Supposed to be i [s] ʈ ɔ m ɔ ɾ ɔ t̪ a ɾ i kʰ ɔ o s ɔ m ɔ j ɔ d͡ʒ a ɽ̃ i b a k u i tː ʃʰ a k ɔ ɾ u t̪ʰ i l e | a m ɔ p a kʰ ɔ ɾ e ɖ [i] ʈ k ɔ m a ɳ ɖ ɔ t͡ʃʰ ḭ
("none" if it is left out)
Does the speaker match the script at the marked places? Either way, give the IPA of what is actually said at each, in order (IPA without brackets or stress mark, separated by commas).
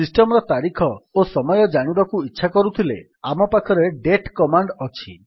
s, e